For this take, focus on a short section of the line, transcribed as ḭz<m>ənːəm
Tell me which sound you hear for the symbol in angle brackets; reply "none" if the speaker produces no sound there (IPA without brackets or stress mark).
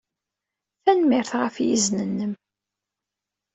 n